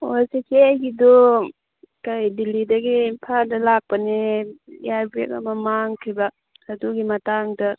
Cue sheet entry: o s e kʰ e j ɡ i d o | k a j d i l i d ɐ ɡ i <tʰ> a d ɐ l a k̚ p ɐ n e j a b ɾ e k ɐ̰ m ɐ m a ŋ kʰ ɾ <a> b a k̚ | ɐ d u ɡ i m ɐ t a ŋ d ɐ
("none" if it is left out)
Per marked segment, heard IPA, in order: pʰ, i

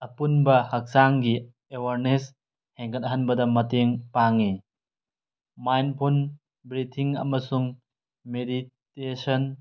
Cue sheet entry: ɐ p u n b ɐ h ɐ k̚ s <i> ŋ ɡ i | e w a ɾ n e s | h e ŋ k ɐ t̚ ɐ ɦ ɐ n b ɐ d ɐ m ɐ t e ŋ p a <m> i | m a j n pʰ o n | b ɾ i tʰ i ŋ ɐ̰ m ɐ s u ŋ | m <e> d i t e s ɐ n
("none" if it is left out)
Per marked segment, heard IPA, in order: a, ŋ, e

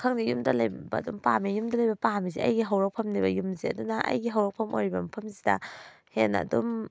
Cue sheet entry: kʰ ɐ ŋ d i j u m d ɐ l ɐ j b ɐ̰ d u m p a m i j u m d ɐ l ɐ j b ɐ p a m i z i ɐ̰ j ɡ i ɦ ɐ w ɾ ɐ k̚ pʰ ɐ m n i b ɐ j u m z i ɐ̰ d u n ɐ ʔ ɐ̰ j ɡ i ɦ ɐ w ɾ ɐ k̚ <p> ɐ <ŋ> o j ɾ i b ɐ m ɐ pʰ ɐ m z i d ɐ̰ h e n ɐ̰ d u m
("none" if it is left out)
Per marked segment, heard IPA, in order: pʰ, m

